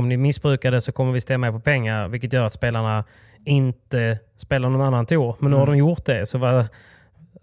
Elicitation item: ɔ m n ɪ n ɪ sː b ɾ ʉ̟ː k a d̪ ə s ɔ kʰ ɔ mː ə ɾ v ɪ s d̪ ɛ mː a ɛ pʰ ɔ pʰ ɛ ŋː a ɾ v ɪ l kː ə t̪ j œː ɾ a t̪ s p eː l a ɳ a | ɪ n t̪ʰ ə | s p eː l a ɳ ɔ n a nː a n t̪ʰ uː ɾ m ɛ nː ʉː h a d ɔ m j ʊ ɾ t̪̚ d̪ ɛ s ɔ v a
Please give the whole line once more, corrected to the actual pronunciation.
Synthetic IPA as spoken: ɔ m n ɪ m ɪ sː b ɾ ʉ̟ː k a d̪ ə s ɔ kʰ ɔ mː ə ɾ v ɪ s t̪ ɛ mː a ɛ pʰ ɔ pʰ ɛ ŋː a ɾ v ɪ l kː ə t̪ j œː ɾ a t̪ s p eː l a ɳ a | ɪ n t̪ ə | s p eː l a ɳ ɔ n a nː a n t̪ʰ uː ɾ m ɛ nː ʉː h a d ɔ m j ʊ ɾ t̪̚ d̪ ɛ s ɔ v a